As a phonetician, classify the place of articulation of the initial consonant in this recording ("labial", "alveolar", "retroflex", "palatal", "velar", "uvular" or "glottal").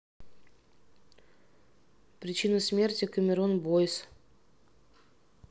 labial